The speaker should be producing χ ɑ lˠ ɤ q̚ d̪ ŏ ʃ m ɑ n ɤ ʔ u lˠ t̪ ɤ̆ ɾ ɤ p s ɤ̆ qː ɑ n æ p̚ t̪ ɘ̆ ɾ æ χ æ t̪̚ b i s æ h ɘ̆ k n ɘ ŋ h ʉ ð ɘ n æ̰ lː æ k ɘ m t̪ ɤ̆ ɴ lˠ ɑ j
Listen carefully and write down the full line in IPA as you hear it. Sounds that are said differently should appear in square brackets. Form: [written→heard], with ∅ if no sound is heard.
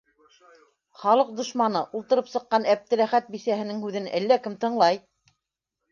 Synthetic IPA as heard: χ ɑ lˠ ɤ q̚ d̪ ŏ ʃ m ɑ n ɤ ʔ u lˠ t̪ ɤ̆ ɾ ɤ p s ɤ̆ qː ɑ n æ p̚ t̪ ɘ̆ ɾ æ χ æ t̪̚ b i s æ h ɘ̆ [k→∅] n ɘ ŋ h ʉ ð ɘ n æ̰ lː æ k ɘ m t̪ ɤ̆ ɴ lˠ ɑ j

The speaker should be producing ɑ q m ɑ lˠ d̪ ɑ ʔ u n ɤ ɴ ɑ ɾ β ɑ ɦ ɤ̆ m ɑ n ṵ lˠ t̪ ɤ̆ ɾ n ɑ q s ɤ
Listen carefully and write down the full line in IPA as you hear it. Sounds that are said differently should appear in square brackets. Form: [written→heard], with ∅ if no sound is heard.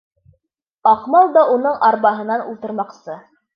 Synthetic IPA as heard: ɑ q m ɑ lˠ d̪ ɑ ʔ u n ɤ ɴ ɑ ɾ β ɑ ɦ ɤ̆ [m→n] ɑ n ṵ lˠ t̪ ɤ̆ ɾ [n→m] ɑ q s ɤ

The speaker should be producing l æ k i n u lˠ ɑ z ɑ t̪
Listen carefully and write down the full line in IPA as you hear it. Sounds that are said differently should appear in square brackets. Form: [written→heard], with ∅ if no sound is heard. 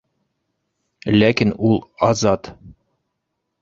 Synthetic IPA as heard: l æ k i n u lˠ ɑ z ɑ t̪

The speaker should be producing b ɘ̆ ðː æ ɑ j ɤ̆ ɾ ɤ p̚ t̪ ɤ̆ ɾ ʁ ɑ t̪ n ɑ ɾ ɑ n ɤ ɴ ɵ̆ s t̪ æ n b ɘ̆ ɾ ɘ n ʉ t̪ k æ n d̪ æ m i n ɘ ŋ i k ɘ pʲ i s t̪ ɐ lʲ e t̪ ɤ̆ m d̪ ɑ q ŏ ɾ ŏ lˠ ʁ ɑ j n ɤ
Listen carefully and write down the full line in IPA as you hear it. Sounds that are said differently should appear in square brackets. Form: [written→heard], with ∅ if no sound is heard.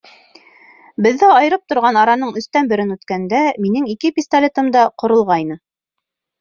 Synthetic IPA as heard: b ɘ̆ ðː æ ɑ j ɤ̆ ɾ ɤ p̚ t̪ [ɤ̆→ŏ] ɾ ʁ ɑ [t̪→∅] n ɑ ɾ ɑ n ɤ ɴ ɵ̆ s t̪ æ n b ɘ̆ ɾ ɘ n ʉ t̪ k æ n d̪ æ m i n ɘ ŋ i k ɘ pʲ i s t̪ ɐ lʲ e t̪ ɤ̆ m d̪ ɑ q ŏ ɾ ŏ lˠ ʁ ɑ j n ɤ

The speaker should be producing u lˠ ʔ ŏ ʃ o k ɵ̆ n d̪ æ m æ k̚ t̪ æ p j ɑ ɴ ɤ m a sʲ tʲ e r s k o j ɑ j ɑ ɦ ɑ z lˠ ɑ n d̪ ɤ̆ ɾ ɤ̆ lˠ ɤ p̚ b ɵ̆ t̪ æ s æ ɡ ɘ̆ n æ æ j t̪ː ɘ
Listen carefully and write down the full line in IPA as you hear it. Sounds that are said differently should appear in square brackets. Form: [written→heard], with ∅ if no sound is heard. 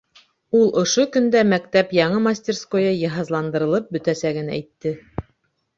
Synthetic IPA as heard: u lˠ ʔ ŏ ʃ o k ɵ̆ n d̪ æ m æ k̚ t̪ æ p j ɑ ɴ ɤ m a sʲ tʲ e r s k o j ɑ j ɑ ɦ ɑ z lˠ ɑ n d̪ ɤ̆ ɾ ɤ̆ lˠ ɤ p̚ b ɵ̆ t̪ æ s æ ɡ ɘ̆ n æ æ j t̪ː ɘ

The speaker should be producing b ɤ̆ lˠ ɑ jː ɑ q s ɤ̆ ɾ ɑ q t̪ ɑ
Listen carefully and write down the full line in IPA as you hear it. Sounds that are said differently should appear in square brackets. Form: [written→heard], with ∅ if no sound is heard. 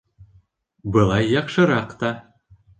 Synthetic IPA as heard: b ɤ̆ lˠ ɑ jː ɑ q [s→ʃ] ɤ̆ ɾ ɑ q t̪ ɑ

